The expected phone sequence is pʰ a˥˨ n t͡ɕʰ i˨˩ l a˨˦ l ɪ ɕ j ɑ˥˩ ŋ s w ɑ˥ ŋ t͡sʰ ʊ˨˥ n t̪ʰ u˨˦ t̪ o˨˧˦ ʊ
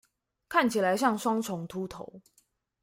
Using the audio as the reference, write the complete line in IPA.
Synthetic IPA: kʰ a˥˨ n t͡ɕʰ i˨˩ l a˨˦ ɪ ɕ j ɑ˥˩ ŋ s w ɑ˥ ŋ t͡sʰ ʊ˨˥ ŋ t̪ʰ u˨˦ t̪ʰ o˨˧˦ ʊ